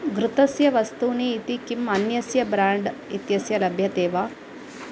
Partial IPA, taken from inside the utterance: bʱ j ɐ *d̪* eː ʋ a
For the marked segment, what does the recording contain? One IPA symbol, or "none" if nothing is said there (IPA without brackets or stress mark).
t̪